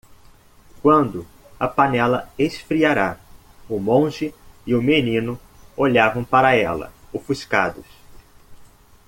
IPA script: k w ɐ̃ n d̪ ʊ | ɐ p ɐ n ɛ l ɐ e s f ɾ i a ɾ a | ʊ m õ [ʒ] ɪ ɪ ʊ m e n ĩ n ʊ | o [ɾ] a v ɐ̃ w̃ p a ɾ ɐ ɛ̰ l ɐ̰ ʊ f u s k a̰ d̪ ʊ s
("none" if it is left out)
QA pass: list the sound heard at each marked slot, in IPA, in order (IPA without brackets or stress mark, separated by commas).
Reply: ʒ, ʎ